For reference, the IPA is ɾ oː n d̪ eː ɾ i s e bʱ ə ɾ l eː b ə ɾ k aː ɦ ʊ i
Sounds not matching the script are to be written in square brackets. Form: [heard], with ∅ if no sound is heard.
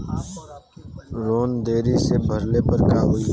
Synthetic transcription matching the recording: ɾ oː n d̪ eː ɾ i s e bʱ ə ɾ l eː [p] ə ɾ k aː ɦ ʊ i